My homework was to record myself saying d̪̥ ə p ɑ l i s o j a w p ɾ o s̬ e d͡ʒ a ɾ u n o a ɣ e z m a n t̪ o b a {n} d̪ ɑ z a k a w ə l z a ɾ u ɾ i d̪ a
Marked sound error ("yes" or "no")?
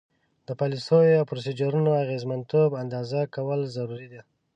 no